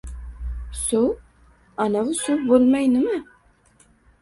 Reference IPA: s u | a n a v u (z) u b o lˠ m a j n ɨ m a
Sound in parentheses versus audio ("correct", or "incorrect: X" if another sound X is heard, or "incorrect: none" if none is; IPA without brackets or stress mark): incorrect: s